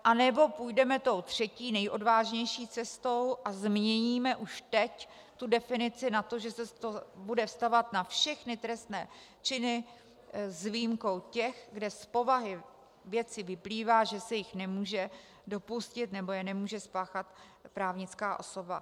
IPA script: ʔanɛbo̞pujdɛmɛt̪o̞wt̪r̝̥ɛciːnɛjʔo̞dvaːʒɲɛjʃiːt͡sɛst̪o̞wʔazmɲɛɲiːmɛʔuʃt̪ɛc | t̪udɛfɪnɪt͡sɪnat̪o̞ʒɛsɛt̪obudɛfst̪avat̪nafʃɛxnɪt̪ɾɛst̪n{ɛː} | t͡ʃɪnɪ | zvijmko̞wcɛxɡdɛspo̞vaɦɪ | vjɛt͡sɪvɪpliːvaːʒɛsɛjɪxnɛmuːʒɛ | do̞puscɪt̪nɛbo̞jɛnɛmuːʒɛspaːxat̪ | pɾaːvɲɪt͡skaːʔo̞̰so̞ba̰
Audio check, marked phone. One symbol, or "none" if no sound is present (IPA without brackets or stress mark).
ɛː